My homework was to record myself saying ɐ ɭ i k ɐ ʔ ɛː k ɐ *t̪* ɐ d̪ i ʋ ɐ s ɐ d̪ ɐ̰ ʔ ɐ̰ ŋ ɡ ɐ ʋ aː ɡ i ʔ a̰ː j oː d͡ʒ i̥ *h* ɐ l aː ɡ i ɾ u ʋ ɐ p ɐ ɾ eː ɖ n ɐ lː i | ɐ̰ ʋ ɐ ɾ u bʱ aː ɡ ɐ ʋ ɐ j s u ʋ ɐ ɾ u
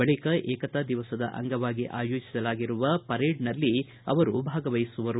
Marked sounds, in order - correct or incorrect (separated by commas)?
correct, incorrect